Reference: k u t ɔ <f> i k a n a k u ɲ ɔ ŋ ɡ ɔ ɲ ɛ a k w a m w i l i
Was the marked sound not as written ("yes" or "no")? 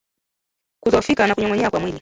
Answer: no